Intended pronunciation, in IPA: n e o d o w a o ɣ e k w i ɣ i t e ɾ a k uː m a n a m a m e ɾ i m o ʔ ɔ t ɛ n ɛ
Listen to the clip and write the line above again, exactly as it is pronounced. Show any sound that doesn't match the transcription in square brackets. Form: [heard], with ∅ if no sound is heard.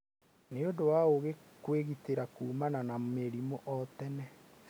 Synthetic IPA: n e o d o w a o ɣ e k w [e] ɣ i t e ɾ a k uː m a n a [n] a m e ɾ i m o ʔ ɔ t ɛ n ɛ